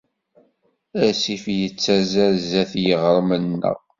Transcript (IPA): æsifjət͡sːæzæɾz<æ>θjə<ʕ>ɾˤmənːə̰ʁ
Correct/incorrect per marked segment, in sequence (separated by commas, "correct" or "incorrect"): correct, incorrect